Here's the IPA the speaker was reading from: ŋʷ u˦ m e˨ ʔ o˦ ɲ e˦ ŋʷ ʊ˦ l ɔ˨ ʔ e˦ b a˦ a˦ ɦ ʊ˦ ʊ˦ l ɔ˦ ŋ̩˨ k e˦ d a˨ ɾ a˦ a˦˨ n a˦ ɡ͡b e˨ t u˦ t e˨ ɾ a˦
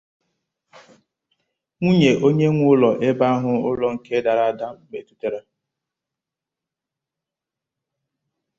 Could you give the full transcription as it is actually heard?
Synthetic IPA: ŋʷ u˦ ɲ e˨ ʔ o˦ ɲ e˦ ŋʷ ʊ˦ l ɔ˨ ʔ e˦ b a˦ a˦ ɦ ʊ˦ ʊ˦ l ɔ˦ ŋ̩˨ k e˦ d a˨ ɾ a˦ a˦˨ d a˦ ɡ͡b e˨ t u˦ t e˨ ɾ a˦